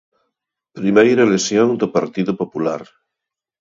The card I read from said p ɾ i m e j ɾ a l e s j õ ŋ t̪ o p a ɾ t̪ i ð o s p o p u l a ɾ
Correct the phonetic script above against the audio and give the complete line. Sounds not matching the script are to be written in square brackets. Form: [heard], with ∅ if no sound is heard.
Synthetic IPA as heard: p ɾ i m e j ɾ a l e s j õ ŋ [d̪] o p a ɾ t̪ i ð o [∅] p o p u l a ɾ